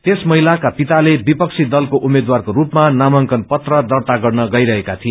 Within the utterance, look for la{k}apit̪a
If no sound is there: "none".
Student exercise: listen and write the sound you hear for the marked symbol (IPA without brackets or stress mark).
k